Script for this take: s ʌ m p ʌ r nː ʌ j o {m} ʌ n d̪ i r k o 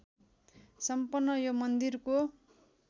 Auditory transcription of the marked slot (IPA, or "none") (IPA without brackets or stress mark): m